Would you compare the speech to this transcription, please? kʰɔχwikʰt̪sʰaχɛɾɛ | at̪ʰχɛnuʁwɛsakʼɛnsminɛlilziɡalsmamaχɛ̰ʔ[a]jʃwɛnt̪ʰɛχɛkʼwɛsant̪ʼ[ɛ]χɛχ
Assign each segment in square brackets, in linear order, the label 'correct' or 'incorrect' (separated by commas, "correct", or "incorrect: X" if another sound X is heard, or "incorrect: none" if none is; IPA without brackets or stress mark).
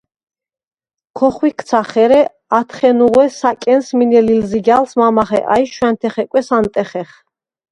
correct, correct